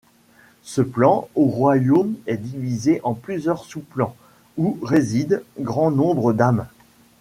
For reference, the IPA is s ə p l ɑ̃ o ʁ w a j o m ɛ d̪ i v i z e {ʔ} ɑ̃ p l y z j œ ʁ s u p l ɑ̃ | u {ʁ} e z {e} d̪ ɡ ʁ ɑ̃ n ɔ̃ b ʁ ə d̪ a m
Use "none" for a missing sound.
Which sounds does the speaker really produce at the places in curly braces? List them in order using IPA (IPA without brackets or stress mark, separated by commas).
ʔ, ʁ, i